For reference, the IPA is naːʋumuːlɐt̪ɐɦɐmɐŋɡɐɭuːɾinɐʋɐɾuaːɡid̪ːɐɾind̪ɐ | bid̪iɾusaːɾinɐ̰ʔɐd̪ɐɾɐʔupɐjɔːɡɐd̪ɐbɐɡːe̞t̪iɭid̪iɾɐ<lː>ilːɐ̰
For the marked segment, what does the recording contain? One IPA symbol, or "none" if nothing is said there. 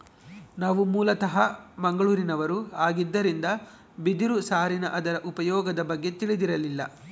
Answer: l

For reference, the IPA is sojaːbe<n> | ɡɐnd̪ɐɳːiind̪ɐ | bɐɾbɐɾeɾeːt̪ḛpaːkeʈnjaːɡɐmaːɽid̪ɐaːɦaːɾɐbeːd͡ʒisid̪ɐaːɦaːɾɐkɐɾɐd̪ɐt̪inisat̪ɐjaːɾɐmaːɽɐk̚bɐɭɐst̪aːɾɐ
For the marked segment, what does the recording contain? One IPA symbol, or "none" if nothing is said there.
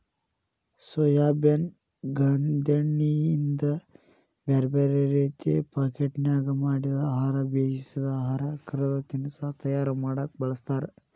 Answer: n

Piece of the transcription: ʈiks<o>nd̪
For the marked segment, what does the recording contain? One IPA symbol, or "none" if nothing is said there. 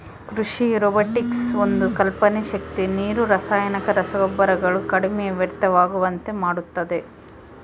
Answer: o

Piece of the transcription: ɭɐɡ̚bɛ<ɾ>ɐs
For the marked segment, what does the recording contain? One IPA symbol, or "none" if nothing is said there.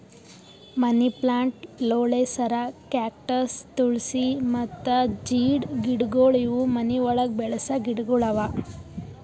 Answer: ɭ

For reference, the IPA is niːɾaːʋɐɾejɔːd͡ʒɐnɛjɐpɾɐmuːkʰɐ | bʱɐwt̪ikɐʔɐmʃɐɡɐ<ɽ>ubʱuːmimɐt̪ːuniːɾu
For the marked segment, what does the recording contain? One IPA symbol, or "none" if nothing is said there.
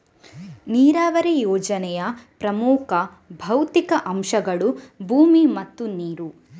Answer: ɭ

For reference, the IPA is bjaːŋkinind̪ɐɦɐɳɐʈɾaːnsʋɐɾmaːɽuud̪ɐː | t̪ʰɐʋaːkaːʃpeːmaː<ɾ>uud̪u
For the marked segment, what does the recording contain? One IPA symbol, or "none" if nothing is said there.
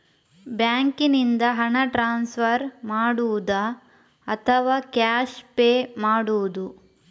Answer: ɽ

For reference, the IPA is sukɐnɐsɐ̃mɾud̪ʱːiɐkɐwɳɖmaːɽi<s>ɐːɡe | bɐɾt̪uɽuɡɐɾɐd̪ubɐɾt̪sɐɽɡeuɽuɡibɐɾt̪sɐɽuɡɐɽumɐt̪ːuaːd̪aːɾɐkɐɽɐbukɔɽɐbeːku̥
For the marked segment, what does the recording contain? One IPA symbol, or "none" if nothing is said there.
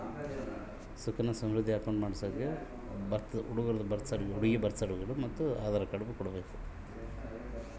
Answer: s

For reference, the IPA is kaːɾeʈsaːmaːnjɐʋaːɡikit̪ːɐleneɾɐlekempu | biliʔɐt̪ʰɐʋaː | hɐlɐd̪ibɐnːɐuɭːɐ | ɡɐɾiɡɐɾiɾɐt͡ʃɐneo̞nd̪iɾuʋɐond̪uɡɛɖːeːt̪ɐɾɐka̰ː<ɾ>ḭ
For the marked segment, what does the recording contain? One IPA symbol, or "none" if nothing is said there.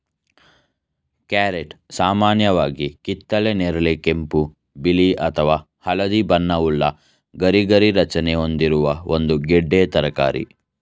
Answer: ɾ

